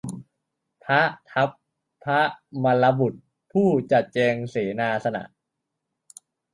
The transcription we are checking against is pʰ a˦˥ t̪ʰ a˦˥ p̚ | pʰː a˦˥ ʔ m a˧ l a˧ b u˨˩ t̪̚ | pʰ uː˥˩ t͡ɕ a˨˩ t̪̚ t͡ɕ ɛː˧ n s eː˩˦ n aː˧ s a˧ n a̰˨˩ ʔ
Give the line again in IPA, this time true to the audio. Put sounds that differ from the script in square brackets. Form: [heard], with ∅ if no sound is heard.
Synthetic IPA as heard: pʰ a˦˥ t̪ʰ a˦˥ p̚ | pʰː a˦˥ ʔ m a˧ l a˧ b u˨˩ t̪̚ | pʰ uː˥˩ t͡ɕ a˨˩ t̪̚ t͡ɕ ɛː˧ [ŋ] s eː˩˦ n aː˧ s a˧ n a̰˨˩ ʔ